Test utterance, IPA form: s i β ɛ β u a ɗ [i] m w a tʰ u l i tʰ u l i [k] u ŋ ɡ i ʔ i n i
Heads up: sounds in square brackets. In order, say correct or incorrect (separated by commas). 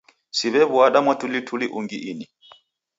incorrect, incorrect